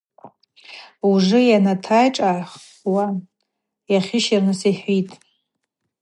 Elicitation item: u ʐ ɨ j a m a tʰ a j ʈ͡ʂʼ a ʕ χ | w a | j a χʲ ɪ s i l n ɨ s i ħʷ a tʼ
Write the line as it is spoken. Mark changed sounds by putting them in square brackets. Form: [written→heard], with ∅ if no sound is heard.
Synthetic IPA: u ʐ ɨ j a [m→n] a tʰ a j ʈ͡ʂʼ a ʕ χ | w a | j a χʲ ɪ [s→ʃ] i [l→r] n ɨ s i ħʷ [a→i] tʼ